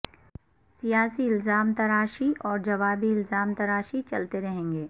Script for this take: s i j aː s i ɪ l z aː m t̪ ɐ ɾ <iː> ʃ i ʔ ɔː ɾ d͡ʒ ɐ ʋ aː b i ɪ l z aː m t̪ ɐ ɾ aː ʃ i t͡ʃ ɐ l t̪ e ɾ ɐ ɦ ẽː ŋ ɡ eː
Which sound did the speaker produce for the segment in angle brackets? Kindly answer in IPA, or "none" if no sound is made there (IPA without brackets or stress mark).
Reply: aː